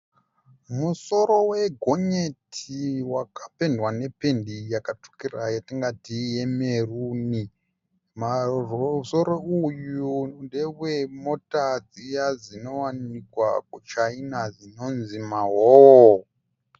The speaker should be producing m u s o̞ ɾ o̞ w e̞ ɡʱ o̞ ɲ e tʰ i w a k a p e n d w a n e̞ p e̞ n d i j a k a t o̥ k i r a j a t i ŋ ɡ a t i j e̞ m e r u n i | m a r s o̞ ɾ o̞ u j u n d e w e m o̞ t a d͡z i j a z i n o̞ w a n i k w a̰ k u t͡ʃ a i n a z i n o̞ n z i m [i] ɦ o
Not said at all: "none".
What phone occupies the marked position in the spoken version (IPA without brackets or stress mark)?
a